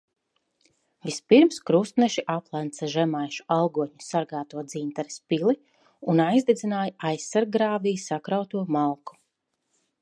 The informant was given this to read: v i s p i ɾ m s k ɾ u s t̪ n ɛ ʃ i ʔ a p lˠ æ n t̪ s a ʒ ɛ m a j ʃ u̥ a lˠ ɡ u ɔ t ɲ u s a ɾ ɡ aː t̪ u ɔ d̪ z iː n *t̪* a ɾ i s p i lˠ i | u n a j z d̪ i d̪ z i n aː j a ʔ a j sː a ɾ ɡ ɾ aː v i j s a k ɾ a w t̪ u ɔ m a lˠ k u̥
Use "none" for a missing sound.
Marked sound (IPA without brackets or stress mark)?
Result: t̪